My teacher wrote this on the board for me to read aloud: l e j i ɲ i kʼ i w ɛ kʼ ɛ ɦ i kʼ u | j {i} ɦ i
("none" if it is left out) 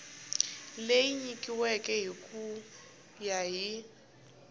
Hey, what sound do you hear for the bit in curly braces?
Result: a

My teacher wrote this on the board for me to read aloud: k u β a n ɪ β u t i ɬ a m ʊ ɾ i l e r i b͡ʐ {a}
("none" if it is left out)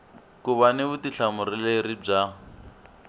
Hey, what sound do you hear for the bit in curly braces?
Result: a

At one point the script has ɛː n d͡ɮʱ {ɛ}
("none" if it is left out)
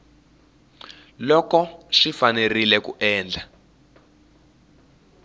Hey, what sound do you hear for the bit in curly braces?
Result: a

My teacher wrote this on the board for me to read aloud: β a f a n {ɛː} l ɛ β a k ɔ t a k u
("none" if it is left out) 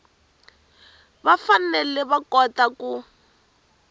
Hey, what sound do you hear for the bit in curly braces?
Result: ɛ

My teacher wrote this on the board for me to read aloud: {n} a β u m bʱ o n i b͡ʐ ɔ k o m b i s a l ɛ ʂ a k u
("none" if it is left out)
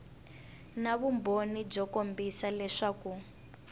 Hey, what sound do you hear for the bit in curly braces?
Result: n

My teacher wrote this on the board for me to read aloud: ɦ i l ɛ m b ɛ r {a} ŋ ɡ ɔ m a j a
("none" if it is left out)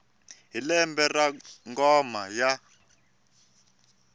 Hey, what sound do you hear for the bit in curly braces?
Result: a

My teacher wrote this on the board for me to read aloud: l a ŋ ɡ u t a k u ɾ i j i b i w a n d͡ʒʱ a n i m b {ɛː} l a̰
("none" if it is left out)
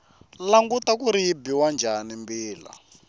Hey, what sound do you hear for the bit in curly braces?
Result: iː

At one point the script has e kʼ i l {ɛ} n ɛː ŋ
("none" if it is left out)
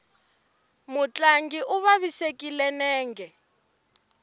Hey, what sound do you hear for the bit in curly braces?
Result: ɛ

